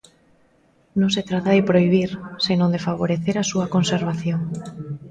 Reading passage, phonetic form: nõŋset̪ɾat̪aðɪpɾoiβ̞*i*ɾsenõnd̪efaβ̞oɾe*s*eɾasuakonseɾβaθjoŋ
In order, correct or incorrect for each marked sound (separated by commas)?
correct, incorrect